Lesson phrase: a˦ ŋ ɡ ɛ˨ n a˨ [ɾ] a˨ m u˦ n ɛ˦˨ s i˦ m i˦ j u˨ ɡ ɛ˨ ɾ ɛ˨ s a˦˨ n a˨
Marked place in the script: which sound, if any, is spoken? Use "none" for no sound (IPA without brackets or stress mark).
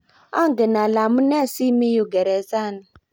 l